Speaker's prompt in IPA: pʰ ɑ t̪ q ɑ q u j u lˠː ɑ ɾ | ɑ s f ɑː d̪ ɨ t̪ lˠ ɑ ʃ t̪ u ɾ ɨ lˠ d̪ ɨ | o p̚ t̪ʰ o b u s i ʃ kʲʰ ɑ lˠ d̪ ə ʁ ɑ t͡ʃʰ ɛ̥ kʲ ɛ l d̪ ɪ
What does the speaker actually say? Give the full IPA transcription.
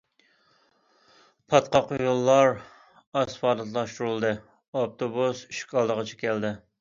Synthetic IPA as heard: pʰ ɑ t̪ q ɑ q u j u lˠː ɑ ɾ | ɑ s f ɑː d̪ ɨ t̪ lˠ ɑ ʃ t̪ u ɾ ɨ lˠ d̪ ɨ | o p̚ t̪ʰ o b u s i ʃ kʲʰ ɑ lˠ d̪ ə ʁ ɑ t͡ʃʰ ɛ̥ kʲ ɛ l d̪ ɪ

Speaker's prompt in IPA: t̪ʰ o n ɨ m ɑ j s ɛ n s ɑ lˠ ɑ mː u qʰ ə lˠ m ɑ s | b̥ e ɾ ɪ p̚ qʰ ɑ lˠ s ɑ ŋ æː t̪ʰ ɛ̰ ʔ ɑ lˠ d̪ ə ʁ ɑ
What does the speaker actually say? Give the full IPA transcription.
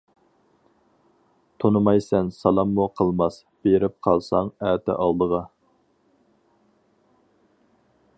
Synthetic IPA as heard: t̪ʰ o n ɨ m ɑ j s ɛ n s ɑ lˠ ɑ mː u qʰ ə lˠ m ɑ s | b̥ e ɾ ɪ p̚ qʰ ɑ lˠ s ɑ ŋ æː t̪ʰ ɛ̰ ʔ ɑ lˠ d̪ ə ʁ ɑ

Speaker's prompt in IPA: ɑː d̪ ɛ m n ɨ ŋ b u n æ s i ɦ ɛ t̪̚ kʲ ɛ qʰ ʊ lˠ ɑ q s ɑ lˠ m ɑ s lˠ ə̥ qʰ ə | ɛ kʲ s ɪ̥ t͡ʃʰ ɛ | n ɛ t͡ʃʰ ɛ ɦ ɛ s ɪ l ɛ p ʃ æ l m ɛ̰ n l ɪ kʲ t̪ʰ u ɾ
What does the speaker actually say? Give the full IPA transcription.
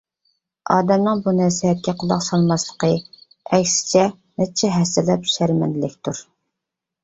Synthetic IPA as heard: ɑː d̪ ɛ m n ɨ ŋ b u n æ s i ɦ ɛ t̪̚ kʲ ɛ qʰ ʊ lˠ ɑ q s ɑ lˠ m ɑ s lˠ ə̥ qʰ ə | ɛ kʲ s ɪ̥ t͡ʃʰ ɛ | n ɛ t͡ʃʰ ɛ ɦ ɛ s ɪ l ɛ p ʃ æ ɾ m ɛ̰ n l ɪ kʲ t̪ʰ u ɾ

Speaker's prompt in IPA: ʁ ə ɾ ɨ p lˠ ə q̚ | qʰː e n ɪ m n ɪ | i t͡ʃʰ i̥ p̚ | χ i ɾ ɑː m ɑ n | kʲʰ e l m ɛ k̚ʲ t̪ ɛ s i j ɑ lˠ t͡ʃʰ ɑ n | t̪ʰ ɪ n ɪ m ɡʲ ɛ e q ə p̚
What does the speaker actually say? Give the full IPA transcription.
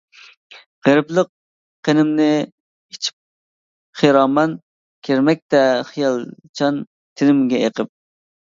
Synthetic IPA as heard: ʁ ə ɾ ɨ p lˠ ə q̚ | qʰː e n ɪ m n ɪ | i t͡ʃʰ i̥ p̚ | χ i ɾ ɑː m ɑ n | kʲʰ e ɾ m ɛ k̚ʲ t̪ ɛ χ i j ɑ lˠ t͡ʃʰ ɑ n | t̪ʰ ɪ n ɪ m ɡʲ ɛ e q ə p̚

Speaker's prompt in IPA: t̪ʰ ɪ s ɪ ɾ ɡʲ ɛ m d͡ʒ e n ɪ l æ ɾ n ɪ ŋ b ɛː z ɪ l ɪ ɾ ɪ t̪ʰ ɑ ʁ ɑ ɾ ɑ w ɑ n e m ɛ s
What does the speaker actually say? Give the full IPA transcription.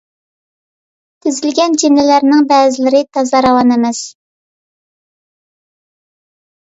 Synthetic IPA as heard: t̪ʰ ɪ z ɪ l ɡʲ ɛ n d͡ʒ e n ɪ l æ ɾ n ɪ ŋ b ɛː z ɪ l ɪ ɾ ɪ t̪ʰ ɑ z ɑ ɾ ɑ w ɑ n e m ɛ s

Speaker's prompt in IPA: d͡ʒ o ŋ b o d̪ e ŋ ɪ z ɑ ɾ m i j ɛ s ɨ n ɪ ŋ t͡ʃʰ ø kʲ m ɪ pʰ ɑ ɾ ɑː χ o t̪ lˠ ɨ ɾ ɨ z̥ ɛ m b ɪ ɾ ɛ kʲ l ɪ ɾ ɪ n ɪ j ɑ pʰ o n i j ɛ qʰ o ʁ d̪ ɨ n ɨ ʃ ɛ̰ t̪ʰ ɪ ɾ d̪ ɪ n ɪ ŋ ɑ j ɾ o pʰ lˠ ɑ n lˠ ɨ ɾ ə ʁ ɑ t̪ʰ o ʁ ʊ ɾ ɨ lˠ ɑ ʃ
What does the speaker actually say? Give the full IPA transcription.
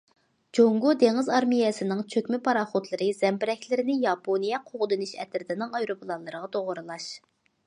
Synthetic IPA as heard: d͡ʒ o ŋ ɡ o d̪ e ŋ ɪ z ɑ ɾ m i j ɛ s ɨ n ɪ ŋ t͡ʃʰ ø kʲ m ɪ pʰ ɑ ɾ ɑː χ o t̪ lˠ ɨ ɾ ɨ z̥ ɛ m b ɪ ɾ ɛ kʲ l ɪ ɾ ɪ n ɪ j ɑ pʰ o n i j ɛ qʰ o ʁ d̪ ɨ n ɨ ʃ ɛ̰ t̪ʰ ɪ ɾ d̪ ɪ n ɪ ŋ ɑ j ɾ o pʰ lˠ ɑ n lˠ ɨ ɾ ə ʁ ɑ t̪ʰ o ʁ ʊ ɾ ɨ lˠ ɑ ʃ

